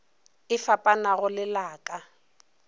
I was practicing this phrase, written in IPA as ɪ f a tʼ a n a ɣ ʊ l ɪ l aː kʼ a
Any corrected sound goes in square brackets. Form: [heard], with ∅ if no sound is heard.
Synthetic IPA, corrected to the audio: ɪ f a [pʼ] a n a ɣ ʊ l ɪ l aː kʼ a